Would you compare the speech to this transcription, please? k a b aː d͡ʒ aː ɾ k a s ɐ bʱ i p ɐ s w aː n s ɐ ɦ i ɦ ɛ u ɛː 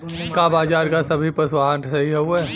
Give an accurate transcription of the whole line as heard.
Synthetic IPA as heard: k a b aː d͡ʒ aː ɾ k a s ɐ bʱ i p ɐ s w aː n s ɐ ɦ i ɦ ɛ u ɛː